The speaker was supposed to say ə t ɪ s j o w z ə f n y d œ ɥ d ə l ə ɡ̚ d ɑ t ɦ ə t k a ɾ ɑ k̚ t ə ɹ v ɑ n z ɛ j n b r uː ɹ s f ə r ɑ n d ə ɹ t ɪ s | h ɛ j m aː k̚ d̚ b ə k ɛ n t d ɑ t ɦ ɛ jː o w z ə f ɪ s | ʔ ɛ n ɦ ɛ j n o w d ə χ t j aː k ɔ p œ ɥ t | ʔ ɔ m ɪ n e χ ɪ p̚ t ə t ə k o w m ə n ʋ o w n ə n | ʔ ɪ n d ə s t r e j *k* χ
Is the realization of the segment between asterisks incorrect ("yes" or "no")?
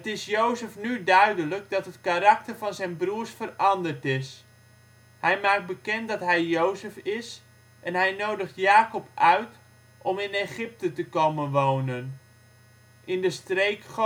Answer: no